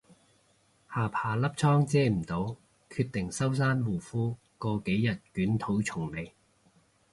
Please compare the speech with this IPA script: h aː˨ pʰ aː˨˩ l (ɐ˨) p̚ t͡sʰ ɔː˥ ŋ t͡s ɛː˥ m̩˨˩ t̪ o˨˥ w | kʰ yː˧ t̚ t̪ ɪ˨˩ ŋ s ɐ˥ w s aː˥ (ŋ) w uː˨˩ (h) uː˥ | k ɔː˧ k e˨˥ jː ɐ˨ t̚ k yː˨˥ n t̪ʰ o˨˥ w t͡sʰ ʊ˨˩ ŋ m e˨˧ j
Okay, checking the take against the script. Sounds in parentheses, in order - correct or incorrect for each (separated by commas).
incorrect, incorrect, incorrect